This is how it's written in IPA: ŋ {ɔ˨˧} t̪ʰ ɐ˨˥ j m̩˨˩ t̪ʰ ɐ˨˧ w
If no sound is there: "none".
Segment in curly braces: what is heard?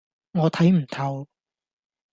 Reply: ɔː˨˧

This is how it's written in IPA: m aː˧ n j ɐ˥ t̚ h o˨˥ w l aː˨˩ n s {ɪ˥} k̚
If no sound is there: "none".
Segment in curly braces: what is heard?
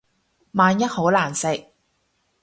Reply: ɪ˨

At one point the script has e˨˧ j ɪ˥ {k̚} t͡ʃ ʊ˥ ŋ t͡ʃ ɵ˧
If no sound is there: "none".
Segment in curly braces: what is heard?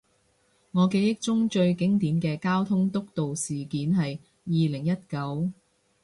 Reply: k̚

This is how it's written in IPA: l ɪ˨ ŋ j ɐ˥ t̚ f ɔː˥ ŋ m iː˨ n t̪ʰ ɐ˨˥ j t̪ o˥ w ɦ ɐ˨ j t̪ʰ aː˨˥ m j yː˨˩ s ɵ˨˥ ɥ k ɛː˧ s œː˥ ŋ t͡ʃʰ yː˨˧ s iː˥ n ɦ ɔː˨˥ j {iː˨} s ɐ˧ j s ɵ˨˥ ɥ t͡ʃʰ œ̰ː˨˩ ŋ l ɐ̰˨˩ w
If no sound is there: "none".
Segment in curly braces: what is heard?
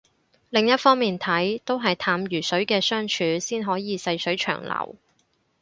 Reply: iː˨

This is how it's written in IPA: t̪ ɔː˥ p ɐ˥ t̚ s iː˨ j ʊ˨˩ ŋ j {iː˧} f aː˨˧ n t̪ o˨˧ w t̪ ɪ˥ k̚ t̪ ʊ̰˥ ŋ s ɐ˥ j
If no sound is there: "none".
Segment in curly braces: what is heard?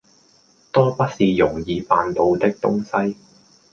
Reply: iː˧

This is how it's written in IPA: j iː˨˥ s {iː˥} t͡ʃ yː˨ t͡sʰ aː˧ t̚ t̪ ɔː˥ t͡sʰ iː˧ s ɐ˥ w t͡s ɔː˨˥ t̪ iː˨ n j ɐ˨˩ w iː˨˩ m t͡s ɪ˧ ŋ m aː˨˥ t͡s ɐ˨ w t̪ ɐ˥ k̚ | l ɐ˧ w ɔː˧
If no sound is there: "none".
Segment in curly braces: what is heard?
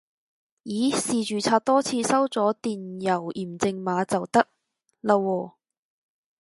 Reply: iː˨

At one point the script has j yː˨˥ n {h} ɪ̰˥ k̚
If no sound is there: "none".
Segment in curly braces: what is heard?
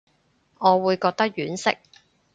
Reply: s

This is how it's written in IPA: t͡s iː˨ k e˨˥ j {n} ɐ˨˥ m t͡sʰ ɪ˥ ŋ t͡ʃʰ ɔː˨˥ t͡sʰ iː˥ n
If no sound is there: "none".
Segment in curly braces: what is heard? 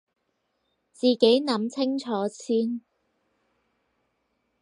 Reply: n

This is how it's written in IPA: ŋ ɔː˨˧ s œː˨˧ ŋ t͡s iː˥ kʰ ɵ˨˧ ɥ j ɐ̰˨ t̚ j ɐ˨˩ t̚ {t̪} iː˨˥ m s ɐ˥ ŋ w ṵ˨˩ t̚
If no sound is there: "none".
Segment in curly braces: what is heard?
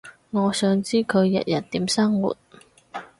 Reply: t̪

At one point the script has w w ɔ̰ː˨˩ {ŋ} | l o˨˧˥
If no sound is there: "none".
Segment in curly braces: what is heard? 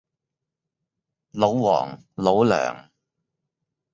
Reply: ŋ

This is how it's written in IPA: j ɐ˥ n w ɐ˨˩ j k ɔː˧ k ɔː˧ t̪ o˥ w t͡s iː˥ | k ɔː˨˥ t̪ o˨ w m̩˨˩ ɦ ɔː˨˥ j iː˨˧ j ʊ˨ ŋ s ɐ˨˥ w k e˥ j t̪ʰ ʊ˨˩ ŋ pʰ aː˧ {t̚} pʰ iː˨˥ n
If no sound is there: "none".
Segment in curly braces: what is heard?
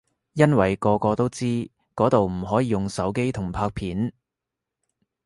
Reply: k̚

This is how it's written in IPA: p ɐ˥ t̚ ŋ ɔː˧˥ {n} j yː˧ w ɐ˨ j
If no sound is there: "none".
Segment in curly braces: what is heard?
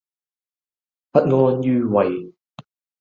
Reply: n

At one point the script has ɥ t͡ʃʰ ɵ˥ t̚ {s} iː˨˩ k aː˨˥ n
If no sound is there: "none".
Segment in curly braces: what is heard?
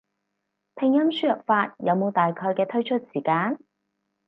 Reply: s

